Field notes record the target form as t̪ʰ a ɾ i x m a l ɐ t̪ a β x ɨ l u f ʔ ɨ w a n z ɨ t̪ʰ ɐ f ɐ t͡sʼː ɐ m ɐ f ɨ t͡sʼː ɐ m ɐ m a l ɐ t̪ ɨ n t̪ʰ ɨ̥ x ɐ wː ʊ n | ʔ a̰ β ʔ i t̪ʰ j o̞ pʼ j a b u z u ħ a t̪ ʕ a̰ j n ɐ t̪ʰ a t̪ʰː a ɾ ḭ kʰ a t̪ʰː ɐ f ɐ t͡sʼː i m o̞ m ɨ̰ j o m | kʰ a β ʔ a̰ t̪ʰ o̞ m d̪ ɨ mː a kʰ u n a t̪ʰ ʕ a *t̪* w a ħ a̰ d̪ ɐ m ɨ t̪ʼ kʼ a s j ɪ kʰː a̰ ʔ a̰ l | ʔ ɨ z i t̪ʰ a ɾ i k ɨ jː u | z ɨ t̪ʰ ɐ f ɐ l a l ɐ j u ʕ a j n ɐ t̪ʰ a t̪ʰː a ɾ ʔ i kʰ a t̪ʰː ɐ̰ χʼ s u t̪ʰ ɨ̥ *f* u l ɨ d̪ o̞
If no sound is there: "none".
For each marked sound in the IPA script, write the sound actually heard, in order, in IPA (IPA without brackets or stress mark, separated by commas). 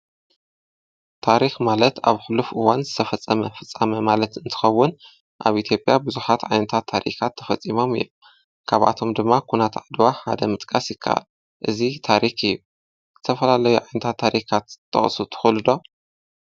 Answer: d̪, x